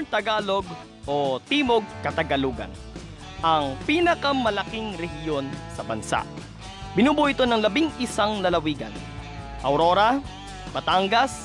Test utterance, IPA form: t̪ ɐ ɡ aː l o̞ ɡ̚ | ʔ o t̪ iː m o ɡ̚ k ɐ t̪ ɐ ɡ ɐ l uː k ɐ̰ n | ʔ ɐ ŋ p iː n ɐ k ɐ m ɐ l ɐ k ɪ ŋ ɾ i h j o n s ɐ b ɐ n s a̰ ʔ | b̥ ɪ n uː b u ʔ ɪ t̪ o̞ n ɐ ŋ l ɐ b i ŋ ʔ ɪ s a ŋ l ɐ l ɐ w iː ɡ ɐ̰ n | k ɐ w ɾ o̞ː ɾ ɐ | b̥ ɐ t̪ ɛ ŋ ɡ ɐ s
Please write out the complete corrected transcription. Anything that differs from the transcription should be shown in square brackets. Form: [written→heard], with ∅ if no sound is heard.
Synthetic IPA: t̪ ɐ ɡ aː l o̞ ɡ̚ | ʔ o t̪ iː m o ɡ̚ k ɐ t̪ ɐ ɡ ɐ l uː [k→ɡ] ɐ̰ n | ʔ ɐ ŋ p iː n ɐ k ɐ m ɐ l ɐ k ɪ ŋ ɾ [i→ɛ] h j o n s ɐ b ɐ n s a̰ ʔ | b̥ ɪ n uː b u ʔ ɪ t̪ o̞ n ɐ ŋ l ɐ b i ŋ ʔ ɪ s a ŋ l ɐ l ɐ w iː ɡ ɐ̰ n | [k→ʔ] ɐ w ɾ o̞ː ɾ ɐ | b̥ ɐ t̪ [ɛ→a] ŋ ɡ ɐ s